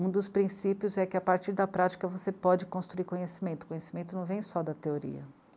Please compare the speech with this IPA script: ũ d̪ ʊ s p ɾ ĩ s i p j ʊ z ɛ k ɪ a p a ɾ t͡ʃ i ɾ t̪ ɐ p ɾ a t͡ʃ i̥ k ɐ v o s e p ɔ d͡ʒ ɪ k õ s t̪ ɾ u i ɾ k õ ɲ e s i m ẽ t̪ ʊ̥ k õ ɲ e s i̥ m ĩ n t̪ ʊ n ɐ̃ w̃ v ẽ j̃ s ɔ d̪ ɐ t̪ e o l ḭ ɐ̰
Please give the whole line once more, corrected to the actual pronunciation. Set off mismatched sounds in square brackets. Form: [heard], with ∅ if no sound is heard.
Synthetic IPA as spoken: ũ d̪ ʊ s p ɾ ĩ s i p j ʊ z ɛ k ɪ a p a ɾ t͡ʃ i ɾ [d̪] ɐ p ɾ a t͡ʃ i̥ k ɐ v o s e p ɔ d͡ʒ ɪ k õ s t̪ ɾ u i ɾ k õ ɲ e s i m ẽ t̪ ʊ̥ k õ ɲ e s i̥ m [ẽ] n t̪ ʊ n ɐ̃ w̃ v ẽ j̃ s ɔ d̪ ɐ t̪ e o [ɾ] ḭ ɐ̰